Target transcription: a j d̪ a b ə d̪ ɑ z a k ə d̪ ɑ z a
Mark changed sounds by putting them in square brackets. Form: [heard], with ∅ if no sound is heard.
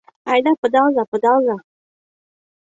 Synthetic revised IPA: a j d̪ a [p] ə d̪ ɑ z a [p] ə d̪ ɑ z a